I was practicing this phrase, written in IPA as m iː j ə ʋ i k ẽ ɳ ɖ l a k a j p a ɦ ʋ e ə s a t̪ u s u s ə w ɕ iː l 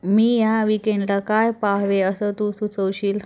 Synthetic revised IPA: m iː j a ʋ i k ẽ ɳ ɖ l a k a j p a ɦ ʋ e ə s ə t̪ u s u t͡s ə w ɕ iː l